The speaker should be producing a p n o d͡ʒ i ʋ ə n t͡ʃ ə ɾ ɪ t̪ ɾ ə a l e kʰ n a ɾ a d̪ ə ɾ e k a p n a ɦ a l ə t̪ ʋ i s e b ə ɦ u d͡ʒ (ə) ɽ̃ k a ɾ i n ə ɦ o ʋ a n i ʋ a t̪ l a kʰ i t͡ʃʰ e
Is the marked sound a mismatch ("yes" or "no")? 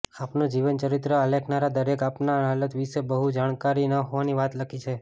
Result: yes